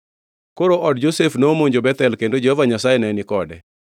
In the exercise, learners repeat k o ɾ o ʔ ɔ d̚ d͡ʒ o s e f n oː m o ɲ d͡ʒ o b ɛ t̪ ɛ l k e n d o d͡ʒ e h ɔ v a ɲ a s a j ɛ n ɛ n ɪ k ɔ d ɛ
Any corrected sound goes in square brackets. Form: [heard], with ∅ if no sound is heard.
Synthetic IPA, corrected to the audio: k o ɾ o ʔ ɔ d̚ d͡ʒ o s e f n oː m o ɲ d͡ʒ o b ɛ t̪ ɛ l k e n d o d͡ʒ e h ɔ v a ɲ a s a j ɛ n ɛ n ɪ k ɔ d ɛ